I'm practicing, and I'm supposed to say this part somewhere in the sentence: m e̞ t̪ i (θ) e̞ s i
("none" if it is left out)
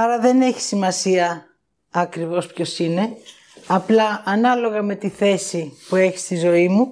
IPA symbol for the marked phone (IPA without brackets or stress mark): θ